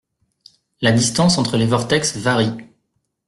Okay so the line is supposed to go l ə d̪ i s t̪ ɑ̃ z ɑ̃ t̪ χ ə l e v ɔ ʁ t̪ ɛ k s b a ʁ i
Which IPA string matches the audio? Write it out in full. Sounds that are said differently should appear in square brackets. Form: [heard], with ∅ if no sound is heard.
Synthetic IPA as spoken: l [a] d̪ i s t̪ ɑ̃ [s] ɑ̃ t̪ χ ə l e v ɔ ʁ t̪ ɛ k s [v] a ʁ i